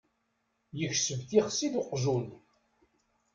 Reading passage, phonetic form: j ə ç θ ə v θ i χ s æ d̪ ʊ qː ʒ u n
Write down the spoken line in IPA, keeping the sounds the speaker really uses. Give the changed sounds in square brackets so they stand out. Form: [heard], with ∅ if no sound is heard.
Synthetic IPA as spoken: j ə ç [s] ə v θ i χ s [i] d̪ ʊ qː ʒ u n